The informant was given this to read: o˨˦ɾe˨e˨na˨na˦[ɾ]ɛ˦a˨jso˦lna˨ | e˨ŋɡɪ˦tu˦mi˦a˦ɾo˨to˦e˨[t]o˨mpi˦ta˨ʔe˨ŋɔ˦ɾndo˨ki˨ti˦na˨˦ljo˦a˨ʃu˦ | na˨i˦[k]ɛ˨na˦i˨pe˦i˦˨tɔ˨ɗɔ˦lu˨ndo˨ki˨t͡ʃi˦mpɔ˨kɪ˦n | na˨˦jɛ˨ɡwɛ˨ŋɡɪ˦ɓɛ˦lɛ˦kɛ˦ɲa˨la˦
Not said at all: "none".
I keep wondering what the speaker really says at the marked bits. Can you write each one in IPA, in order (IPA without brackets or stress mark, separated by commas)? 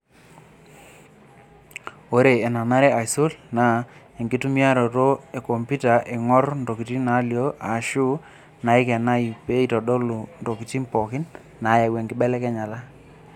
ɾ, k, k